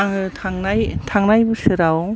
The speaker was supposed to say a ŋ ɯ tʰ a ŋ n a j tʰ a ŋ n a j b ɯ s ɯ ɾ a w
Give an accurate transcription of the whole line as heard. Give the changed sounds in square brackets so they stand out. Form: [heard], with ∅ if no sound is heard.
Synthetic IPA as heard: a ŋ ɯ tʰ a ŋ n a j tʰ a ŋ n a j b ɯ s ɯ ɾ a w